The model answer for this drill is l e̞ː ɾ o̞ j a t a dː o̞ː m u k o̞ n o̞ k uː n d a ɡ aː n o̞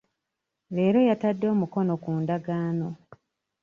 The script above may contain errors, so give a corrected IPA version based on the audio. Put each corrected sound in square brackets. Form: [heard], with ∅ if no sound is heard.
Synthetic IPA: l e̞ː ɾ o̞ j a t a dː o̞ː m u k o̞ n o̞ k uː n d a ɡ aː n o̞

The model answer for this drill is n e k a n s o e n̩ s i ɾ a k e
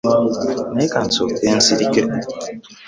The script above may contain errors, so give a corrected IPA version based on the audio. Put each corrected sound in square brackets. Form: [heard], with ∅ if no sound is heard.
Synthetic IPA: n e k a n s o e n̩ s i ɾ [i] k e

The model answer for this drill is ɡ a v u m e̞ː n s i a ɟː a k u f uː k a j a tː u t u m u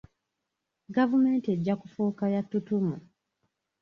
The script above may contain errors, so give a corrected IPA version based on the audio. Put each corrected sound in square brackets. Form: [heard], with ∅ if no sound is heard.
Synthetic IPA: ɡ a v u m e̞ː n [t] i [e] ɟː a k u f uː k a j a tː u t u m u

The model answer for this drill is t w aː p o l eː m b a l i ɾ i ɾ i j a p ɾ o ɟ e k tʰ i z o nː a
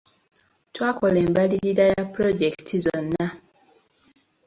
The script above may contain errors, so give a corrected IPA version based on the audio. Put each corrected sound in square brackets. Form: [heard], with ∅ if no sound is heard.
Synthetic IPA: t w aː [k] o l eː m b a l i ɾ i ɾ [a] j a p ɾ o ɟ e k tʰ i z o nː a

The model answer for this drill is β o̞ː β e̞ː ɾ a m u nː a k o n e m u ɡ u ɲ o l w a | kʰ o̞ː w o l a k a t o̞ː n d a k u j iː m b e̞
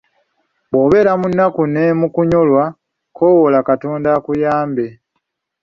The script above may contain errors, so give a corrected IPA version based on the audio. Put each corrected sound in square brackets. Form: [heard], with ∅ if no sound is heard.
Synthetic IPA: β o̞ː β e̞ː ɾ a m u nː a k [u] n e m u [k] u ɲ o l w a | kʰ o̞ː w o l a k a t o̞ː n d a k u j [aː] m b e̞

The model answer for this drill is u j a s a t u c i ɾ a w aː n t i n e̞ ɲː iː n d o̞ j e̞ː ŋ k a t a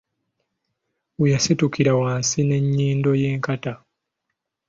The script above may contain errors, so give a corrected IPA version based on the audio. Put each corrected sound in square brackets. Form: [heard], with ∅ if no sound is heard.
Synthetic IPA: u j a s [i] t u [k] i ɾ a w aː n [s] i n e̞ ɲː iː n d o̞ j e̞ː ŋ k a t a

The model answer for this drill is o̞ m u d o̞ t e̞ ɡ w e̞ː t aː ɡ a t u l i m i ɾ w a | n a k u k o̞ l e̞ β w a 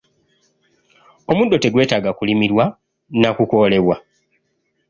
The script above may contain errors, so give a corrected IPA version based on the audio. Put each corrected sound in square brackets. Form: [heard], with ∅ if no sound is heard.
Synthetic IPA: o̞ m u d o̞ t e̞ ɡ w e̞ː t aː ɡ a [k] u l i m i ɾ w a | n a k u k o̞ l e̞ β w a

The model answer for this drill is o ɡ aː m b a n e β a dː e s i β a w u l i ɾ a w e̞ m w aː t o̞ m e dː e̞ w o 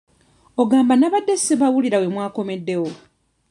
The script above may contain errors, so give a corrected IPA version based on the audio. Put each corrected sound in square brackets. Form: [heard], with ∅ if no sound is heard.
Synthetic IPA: o ɡ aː m b a n [a] β a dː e s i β a w u l i ɾ a w e̞ m w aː [k] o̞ m e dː e̞ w o

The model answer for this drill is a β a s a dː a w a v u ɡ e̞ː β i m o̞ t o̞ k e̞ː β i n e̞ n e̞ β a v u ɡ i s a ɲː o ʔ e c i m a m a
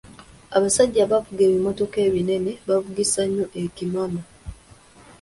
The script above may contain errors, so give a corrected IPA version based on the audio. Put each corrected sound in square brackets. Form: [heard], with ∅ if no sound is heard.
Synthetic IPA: a β a s a [ɟː] a [β] a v u ɡ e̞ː β i m o̞ t o̞ k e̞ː β i n e̞ n e̞ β a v u ɡ i s a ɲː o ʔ e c i m a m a

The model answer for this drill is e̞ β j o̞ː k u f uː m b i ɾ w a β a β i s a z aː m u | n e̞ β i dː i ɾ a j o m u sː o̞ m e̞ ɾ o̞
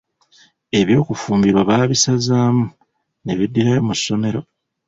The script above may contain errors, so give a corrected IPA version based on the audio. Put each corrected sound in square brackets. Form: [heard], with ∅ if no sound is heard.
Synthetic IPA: e̞ β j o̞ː k u f uː m b i ɾ w a β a β i s a z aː m u | n e̞ β i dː i ɾ a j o m u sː o̞ m e̞ ɾ o̞

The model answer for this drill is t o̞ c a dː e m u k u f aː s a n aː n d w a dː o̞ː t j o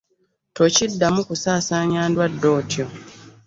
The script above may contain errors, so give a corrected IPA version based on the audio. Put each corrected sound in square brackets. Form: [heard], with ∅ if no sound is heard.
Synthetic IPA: t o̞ c [i] dː [a] m u k u [s] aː s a [ɲ] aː n d w a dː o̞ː t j o

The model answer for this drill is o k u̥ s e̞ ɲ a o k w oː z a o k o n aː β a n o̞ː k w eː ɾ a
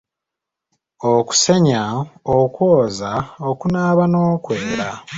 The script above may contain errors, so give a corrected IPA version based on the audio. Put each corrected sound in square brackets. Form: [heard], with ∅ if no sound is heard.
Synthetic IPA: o k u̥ s e̞ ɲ a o k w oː z a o k [u] n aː β a n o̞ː k w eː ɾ a

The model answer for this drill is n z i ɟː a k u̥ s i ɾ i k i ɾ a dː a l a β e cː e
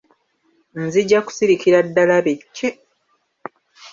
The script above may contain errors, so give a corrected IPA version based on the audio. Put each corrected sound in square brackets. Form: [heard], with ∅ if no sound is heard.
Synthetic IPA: n z i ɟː a k u̥ s i ɾ i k i ɾ a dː a l a β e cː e

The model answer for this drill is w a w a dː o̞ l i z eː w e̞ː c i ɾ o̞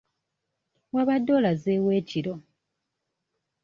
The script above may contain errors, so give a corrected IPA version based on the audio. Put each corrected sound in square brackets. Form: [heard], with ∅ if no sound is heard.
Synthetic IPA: w a [β] a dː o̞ l [a] z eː w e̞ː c i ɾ o̞

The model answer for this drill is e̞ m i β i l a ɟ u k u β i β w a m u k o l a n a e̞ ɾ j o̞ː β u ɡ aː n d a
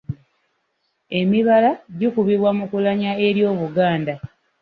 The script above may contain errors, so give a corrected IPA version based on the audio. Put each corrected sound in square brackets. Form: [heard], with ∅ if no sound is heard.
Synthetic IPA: e̞ m i β [a] l a ɟ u k u β i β w a m u k [u] l a [ɲ] a e̞ ɾ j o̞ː β u ɡ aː n d a

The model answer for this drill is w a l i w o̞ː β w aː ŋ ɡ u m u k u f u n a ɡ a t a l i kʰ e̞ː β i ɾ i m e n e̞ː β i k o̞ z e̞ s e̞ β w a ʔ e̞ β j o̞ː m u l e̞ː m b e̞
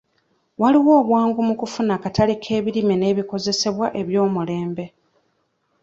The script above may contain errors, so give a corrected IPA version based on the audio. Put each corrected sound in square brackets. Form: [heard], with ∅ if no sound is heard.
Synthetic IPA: w a l i w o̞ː β w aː ŋ ɡ u m u k u f u n a [k] a t a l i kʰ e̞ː β i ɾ i m e n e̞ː β i k o̞ z e̞ s e̞ β w a ʔ e̞ β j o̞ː m u l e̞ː m b e̞

